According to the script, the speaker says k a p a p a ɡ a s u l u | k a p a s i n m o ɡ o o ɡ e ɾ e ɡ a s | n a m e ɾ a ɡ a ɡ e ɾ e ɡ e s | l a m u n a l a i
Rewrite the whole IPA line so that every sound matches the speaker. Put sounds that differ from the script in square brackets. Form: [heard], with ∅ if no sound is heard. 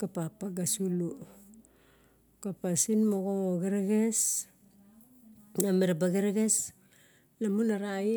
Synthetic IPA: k a p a p a ɡ a s u l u | k a p a s i n m o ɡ o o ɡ e ɾ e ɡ [e] s | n a m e ɾ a [b] a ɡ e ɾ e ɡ e s | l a m u n a [ɾ] a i